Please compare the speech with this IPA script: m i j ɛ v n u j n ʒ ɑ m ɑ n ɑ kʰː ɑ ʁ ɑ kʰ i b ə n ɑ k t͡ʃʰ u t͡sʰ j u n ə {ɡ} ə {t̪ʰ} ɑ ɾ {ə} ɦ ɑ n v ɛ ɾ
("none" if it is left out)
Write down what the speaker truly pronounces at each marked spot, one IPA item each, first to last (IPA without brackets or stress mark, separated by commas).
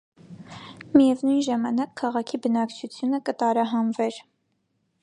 k, t̪, ɑ